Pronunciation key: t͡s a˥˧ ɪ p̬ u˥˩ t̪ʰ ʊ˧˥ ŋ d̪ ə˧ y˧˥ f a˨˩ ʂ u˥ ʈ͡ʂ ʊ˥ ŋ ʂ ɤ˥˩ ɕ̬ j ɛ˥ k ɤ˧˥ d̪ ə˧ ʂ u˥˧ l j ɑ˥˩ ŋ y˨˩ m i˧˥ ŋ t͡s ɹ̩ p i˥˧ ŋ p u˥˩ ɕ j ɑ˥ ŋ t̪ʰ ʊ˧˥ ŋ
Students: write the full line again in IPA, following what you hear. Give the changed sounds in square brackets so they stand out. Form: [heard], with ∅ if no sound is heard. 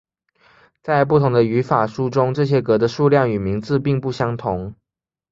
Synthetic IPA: t͡s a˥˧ ɪ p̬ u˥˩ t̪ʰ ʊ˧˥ ŋ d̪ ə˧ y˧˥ f a˨˩ ʂ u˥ ʈ͡ʂ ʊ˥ ŋ [ʈ͡ʂ] ɤ˥˩ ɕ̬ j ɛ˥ k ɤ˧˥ d̪ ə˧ ʂ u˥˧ l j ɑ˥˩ ŋ y˨˩ m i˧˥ ŋ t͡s ɹ̩ p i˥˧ ŋ p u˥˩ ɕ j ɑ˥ ŋ t̪ʰ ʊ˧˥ ŋ